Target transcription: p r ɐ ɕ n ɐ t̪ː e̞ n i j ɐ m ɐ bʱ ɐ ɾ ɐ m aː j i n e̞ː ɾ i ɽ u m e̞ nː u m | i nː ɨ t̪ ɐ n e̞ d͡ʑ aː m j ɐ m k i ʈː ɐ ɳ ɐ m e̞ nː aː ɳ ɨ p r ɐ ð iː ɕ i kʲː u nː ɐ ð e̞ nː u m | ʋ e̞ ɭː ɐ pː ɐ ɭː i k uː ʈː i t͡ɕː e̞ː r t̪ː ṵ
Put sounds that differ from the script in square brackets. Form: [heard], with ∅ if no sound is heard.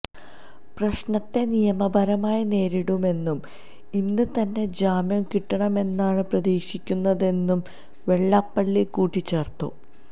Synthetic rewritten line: p r ɐ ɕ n ɐ t̪ː e̞ n i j ɐ m ɐ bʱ ɐ ɾ ɐ m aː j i n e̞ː ɾ i ɽ u m e̞ nː u m | i nː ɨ t̪ ɐ [nː] e̞ d͡ʑ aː m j ɐ m k i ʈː ɐ ɳ ɐ m e̞ nː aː ɳ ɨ p r ɐ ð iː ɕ i kʲː u nː ɐ ð e̞ nː u m | ʋ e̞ ɭː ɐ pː ɐ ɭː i k uː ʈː i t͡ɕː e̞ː r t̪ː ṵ